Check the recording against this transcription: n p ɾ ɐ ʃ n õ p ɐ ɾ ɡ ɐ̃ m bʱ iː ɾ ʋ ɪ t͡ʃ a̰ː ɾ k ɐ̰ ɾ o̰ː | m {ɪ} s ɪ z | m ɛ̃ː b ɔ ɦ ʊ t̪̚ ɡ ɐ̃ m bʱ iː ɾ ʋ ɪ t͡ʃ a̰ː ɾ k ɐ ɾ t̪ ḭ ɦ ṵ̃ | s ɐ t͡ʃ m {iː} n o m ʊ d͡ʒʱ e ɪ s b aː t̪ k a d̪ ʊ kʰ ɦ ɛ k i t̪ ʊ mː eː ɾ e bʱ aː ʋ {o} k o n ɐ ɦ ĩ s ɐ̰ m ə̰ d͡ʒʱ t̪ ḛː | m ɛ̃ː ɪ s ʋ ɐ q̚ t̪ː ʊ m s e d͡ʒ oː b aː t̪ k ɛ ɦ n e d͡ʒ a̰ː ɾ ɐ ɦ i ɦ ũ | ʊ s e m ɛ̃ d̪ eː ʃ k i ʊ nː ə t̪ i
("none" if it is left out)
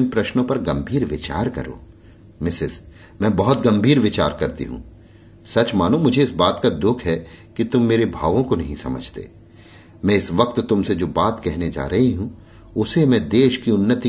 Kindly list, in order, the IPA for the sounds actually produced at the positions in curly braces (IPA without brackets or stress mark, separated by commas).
ɪ, aː, õ